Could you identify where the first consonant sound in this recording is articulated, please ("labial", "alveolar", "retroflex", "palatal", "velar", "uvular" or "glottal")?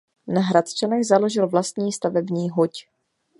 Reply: alveolar